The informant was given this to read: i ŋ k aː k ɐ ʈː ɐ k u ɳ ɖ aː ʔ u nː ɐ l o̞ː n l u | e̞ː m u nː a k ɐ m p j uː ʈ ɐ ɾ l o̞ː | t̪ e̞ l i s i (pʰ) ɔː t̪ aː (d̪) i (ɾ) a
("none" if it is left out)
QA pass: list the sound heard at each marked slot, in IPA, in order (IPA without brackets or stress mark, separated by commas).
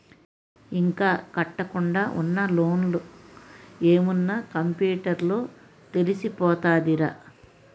p, d̪, ɾ